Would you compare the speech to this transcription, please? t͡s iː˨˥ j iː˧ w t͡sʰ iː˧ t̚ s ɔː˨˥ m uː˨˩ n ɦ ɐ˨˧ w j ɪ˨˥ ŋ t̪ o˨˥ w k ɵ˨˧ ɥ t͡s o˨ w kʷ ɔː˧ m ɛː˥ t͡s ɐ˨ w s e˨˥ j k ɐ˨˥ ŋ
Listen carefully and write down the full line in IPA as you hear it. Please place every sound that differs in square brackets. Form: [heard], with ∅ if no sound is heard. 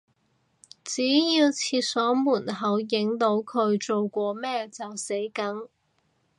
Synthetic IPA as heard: t͡s iː˨˥ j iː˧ w t͡sʰ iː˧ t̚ s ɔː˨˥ m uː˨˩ n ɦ ɐ˨˧ w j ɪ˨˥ ŋ t̪ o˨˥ w [kʰ] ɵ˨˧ ɥ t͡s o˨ w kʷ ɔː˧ m ɛː˥ t͡s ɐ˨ w s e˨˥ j k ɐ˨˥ ŋ